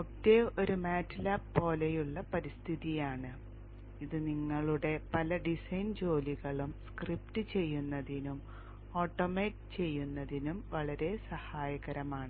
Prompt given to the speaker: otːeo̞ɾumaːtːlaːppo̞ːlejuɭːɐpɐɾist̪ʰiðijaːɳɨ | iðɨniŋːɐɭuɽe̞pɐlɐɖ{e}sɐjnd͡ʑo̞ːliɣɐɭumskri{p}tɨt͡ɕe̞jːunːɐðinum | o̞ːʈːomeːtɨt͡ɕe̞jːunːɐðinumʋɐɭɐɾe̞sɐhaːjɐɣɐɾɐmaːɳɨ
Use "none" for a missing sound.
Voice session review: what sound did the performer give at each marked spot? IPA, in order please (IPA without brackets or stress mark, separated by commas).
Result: i, p